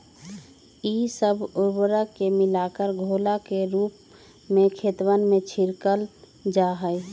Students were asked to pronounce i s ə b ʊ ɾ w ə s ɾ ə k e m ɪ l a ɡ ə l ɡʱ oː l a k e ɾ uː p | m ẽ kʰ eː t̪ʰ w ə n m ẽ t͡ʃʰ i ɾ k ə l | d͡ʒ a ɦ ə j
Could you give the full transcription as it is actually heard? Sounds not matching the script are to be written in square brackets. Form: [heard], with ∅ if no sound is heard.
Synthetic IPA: i s ə b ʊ ɾ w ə [∅] ɾ ə k e m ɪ l a [k] ə [ɾ] ɡʱ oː l a k e ɾ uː p | m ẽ kʰ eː [t̪] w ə n m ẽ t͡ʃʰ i ɾ k ə l | d͡ʒ a ɦ ə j